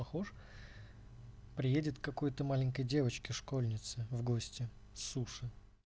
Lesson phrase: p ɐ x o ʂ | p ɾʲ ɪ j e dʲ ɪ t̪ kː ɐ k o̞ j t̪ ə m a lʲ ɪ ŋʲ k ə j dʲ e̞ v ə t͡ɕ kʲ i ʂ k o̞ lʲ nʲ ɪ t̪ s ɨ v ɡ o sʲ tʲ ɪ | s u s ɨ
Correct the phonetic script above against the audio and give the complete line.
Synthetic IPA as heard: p ɐ x o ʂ | p ɾʲ ɪ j e dʲ ɪ t̪ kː ɐ k o̞ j t̪ ə m a lʲ ɪ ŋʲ k ə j dʲ e̞ v ə t͡ɕ kʲ ɪ ʂ k o̞ lʲ nʲ ɪ t̪ s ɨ v ɡ o sʲ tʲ ɪ | s u ʂ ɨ